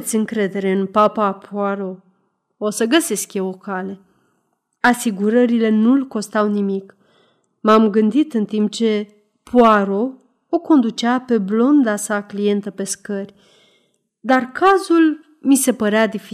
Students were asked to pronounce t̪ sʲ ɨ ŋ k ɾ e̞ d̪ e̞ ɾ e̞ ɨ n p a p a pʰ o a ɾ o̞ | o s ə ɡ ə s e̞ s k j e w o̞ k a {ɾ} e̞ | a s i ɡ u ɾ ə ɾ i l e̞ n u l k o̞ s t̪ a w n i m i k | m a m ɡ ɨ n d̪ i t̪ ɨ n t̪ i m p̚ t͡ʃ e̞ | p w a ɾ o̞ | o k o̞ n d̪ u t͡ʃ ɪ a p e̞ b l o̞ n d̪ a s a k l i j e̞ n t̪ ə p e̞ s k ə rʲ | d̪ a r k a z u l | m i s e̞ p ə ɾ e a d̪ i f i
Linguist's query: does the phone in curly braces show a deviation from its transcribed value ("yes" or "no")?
yes